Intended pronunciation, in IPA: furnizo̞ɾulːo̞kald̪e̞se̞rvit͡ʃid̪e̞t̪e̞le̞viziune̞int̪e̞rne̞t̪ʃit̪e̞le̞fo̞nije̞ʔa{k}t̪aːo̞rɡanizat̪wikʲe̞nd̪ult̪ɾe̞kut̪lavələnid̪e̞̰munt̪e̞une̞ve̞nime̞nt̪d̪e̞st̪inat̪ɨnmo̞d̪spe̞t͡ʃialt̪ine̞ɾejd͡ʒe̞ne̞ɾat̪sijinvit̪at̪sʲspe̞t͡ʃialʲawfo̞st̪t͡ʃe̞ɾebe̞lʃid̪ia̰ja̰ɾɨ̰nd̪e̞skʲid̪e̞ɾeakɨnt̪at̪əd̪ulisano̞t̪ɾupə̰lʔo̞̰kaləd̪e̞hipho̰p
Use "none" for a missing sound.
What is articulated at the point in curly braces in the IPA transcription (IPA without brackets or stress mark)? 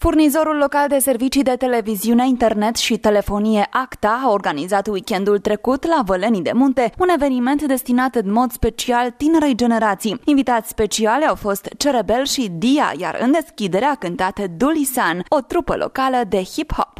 k